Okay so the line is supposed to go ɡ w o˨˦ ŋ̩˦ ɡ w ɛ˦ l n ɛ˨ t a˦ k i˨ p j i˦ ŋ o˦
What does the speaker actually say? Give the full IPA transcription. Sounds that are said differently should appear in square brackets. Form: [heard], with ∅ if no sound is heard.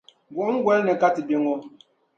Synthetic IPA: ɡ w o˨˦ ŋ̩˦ ɡ w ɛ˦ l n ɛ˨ [k] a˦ [t] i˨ [b] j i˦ ŋ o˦